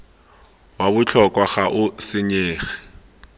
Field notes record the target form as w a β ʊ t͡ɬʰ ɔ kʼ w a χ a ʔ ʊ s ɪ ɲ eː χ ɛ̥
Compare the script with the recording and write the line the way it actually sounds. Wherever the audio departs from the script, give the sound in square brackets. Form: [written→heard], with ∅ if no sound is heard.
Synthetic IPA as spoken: w a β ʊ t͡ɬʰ ɔ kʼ w a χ a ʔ ʊ s ɪ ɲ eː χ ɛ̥